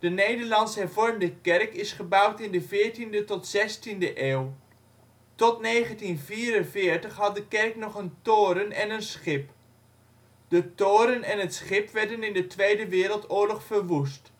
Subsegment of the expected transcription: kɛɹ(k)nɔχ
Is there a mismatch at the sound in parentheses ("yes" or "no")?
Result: no